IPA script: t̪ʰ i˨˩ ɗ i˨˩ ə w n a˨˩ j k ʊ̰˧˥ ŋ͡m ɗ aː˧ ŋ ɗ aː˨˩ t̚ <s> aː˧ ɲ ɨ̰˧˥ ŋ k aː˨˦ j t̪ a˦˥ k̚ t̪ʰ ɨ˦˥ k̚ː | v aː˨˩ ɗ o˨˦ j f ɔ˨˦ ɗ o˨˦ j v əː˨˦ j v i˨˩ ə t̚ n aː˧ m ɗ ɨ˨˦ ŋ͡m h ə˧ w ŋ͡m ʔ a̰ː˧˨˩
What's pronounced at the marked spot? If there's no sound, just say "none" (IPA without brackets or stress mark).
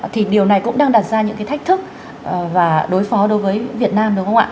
z